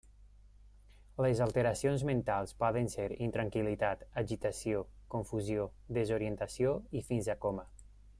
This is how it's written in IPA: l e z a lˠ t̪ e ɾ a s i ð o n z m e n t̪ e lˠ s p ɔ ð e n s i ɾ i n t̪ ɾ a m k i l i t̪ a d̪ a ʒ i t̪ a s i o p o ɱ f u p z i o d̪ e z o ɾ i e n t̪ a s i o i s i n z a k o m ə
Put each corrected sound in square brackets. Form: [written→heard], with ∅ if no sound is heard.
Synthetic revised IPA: l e z a lˠ t̪ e ɾ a s i [ð→∅] o n z m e n t̪ [e→a] lˠ s p ɔ ð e n s [i→e] ɾ i n t̪ ɾ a [m→ŋ] k i l i t̪ a [d̪→t̪] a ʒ i t̪ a s i o [p→k] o ɱ f u [p→∅] z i o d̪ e z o ɾ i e n t̪ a s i o i [s→f] i n z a k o m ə